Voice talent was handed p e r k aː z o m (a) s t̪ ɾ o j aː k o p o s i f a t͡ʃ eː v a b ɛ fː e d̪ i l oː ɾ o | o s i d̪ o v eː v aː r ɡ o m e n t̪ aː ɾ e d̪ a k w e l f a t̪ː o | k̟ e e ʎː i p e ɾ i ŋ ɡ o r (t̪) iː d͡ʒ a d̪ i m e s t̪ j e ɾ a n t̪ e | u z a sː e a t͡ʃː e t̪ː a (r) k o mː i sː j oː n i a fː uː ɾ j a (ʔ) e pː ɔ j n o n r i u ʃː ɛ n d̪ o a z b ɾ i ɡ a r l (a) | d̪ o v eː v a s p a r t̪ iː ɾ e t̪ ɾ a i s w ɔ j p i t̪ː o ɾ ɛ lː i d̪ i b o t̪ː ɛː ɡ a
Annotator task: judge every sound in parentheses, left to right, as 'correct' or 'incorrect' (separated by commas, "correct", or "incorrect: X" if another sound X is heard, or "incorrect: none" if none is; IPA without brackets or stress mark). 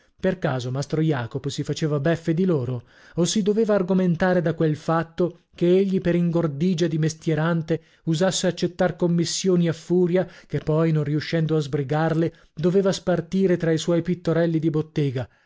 correct, incorrect: d̪, correct, incorrect: k, incorrect: e